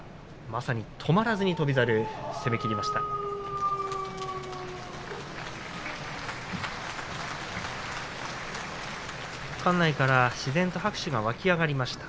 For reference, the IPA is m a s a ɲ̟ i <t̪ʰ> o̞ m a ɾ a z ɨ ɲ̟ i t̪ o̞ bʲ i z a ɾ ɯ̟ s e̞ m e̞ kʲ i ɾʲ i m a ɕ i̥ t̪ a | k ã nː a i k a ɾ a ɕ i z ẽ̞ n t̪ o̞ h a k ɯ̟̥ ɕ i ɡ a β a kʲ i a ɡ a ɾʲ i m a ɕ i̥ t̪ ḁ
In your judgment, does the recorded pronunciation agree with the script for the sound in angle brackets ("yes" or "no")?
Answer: yes